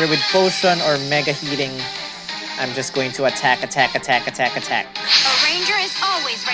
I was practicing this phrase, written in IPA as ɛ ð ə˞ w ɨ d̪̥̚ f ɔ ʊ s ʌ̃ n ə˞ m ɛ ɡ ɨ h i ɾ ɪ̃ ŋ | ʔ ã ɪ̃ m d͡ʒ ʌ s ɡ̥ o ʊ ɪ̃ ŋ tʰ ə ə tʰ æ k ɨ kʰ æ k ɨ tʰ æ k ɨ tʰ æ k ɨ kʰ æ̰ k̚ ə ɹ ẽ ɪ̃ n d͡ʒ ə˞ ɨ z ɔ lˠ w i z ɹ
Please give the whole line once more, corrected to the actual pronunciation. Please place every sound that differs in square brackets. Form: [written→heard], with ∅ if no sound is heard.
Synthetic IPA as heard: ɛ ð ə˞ w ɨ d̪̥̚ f [ɔ→o] ʊ s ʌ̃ n ə˞ m ɛ ɡ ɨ h i ɾ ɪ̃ ŋ | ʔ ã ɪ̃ m d͡ʒ ʌ s ɡ̥ o ʊ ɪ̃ ŋ tʰ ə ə tʰ æ k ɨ [kʰ→tʰ] æ k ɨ tʰ æ k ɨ tʰ æ k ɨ [kʰ→tʰ] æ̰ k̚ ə ɹ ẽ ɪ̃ n d͡ʒ ə˞ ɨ z ɔ lˠ w i z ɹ